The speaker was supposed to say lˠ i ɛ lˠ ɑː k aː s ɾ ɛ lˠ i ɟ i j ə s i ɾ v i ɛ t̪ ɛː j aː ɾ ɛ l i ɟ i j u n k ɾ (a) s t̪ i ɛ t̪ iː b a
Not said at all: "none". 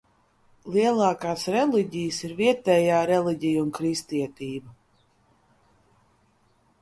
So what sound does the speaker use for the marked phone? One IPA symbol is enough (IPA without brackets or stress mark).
i